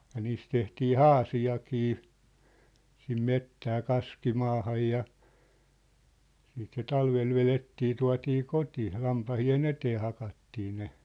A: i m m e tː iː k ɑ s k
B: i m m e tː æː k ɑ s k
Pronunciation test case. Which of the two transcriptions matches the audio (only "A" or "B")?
B